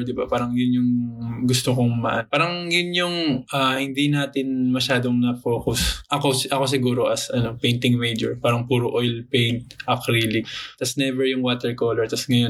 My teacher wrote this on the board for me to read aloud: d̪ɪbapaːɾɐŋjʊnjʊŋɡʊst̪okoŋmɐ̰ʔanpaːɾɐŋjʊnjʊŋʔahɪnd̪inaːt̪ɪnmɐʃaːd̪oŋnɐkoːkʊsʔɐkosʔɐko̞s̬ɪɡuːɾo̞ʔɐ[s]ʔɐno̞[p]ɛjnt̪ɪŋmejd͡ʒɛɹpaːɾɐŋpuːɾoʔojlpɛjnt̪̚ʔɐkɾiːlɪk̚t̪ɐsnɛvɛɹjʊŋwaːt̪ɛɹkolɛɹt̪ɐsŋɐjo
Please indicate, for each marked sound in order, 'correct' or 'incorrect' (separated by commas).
correct, correct